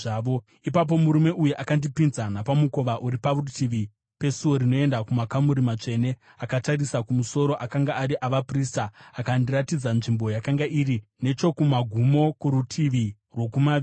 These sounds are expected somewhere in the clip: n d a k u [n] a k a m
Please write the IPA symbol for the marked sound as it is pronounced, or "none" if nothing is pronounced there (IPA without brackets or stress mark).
m